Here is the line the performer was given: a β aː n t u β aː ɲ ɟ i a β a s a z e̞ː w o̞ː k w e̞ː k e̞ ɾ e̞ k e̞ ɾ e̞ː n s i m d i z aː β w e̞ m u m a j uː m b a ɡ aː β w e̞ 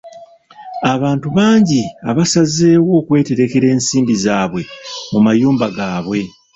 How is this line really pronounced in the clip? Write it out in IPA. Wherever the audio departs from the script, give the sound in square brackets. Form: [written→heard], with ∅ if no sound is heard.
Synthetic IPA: a β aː n t u β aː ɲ ɟ i a β a s a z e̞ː w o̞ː k w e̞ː [k→t] e̞ ɾ e̞ k e̞ ɾ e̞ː n s [i→iː] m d i z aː β w e̞ m u m a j uː m b a ɡ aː β w e̞